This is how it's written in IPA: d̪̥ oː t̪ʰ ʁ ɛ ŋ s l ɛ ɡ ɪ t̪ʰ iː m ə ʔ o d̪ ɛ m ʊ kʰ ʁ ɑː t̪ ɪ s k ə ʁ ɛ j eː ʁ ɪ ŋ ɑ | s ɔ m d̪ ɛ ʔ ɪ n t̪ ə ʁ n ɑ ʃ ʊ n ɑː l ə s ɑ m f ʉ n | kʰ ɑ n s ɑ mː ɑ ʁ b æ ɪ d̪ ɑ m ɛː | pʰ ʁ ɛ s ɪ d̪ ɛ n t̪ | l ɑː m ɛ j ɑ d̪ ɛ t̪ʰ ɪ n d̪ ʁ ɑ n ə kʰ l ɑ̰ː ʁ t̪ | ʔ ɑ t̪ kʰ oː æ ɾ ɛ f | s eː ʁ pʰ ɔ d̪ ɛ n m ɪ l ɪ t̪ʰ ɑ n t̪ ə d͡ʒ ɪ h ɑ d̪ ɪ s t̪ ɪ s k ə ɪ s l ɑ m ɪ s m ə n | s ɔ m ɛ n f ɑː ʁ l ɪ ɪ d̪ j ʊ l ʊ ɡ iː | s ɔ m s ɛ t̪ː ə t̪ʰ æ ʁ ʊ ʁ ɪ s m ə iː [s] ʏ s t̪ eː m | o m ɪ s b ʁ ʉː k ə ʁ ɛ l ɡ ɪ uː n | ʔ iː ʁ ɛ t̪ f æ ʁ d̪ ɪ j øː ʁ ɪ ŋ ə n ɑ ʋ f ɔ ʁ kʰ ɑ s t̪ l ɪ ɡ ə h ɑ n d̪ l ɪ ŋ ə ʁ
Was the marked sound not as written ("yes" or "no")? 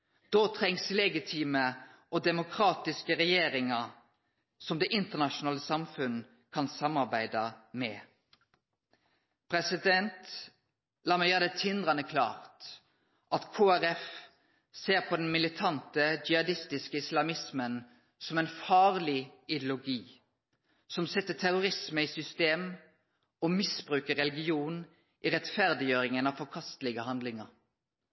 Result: no